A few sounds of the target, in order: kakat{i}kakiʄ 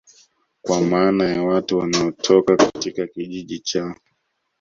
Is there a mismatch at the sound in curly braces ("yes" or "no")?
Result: no